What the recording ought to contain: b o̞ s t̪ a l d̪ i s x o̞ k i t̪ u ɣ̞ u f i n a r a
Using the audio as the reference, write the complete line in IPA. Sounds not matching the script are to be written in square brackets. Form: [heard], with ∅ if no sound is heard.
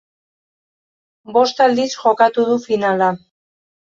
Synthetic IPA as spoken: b o̞ s t̪ a l d̪ i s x o̞ k [a] t̪ u [ð̞] u f i n a [l] a